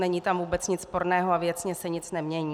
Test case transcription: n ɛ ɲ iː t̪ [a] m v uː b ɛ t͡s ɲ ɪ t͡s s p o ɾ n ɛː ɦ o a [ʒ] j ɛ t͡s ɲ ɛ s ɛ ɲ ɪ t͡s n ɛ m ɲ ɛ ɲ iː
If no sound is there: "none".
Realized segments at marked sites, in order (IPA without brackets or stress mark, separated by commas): a, v